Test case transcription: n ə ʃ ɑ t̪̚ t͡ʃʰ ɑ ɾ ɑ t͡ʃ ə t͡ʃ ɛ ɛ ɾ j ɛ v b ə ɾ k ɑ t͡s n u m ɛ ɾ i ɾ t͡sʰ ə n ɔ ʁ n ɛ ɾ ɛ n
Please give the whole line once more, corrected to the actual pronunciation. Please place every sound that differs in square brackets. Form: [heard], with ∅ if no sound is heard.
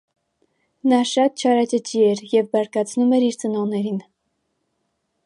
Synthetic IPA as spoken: n [ɑ] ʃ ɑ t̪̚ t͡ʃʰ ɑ ɾ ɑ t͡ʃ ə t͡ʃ [i] ɛ ɾ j ɛ v b [ɑ] ɾ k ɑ [t͡sʰ] n u m ɛ ɾ i ɾ [t͡s] ə n ɔ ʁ n ɛ ɾ [i] n

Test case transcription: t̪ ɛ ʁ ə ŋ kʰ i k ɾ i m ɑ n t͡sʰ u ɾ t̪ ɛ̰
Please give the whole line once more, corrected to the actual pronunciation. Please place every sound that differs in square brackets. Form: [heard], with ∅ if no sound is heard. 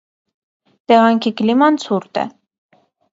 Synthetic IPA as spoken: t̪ ɛ ʁ [ɑ] ŋ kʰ i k [l] i m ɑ n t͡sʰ u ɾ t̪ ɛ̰

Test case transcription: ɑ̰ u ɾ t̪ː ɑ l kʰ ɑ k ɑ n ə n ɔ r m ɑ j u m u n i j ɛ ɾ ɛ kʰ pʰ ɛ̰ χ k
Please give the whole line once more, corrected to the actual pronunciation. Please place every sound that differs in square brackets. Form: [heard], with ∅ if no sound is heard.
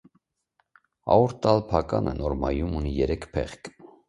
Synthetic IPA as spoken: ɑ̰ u ɾ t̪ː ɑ l [pʰ] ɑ k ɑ n ə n ɔ [ɾ] m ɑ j u m u n i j ɛ ɾ ɛ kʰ pʰ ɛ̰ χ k

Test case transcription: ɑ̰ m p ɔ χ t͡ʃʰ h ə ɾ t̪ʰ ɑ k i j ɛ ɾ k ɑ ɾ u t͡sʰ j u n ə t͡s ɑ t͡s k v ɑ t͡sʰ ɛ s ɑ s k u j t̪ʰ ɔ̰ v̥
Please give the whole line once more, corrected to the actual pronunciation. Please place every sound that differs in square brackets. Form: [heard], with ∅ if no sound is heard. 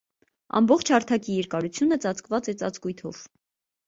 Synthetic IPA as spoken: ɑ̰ m [b] ɔ χ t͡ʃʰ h [ɑ] ɾ t̪ʰ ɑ k i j ɛ ɾ k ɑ ɾ u t͡sʰ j u n ə t͡s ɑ t͡s k v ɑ [t͡s] ɛ [t͡s] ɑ [t͡s] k u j t̪ʰ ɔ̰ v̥

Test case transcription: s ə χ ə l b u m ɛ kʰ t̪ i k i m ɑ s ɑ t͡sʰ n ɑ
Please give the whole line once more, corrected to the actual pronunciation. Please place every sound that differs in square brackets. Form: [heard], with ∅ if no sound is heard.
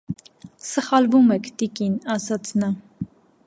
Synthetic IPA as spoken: s ə χ [ɑ] l [v] u m ɛ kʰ t̪ i k i [n] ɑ s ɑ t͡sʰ n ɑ

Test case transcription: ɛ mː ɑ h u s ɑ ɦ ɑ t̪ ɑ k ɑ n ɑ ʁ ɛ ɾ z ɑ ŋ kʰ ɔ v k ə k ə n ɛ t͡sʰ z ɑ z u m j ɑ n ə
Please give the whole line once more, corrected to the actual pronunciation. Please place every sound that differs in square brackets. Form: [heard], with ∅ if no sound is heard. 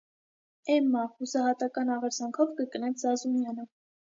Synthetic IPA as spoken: ɛ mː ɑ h u s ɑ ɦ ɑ t̪ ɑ k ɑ n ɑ ʁ ɛ ɾ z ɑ ŋ kʰ ɔ v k ə k ə n ɛ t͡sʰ z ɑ z u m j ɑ n ə

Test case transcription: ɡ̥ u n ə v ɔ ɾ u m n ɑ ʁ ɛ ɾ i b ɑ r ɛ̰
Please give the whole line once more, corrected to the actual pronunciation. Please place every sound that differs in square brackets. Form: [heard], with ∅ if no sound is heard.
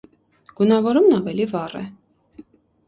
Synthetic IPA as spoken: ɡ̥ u n [ɑ] v ɔ ɾ u m n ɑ [v] ɛ [l] i [v] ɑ r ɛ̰

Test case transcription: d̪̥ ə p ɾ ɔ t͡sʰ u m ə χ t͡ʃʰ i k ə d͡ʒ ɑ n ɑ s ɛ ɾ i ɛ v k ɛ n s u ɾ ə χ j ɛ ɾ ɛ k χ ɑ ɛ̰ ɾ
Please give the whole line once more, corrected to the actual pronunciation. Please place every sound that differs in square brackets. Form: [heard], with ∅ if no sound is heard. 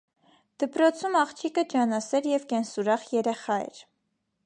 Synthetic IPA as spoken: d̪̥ ə p ɾ ɔ t͡sʰ u m [ɑ] χ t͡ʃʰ i k ə d͡ʒ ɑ n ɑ s ɛ ɾ [j] ɛ v k ɛ n s u ɾ [ɑ] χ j ɛ ɾ ɛ [∅] χ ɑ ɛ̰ ɾ

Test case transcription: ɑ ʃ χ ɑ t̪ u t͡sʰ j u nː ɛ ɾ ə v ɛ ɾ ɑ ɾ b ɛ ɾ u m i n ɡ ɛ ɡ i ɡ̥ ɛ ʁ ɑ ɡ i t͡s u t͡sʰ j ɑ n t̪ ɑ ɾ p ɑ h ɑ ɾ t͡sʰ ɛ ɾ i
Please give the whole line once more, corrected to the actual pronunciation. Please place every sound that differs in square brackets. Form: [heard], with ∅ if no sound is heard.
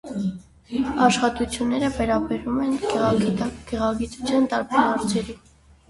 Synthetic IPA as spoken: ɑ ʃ χ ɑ t̪ u t͡sʰ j u nː ɛ ɾ ə v ɛ ɾ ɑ [∅] b ɛ ɾ u m [ɛ] n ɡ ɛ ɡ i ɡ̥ ɛ ʁ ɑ ɡ i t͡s u t͡sʰ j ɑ n t̪ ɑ ɾ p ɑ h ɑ ɾ t͡sʰ ɛ ɾ i

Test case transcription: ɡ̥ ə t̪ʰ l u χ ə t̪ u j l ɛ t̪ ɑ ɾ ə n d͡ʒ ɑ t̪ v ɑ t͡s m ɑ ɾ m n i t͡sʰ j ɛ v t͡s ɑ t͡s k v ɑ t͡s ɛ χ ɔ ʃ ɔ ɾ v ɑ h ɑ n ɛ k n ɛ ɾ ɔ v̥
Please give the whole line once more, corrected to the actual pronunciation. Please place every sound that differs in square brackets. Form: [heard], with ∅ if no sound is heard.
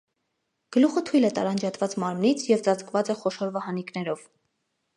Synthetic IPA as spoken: ɡ̥ ə [∅] l u χ ə [t̪ʰ] u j l ɛ t̪ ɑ ɾ [ɑ] n d͡ʒ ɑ t̪ v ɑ t͡s m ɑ ɾ m n i t͡sʰ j ɛ v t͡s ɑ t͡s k v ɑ t͡s ɛ χ ɔ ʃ ɔ ɾ v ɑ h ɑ n [i] k n ɛ ɾ ɔ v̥

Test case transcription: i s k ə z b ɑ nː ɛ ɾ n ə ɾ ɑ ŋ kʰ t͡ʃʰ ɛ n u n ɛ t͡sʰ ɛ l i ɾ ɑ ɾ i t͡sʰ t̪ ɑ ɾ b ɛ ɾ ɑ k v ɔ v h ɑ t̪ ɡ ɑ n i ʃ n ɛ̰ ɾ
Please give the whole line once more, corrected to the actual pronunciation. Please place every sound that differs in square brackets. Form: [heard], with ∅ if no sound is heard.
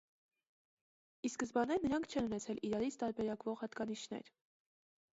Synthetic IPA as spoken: i s k ə z b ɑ [n] ɛ ɾ n ə ɾ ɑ ŋ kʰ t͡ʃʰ ɛ n u n ɛ t͡sʰ ɛ l i ɾ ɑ ɾ i t͡sʰ t̪ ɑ ɾ b ɛ ɾ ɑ k v ɔ [ʁ] h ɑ t̪ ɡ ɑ n i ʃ n ɛ̰ ɾ

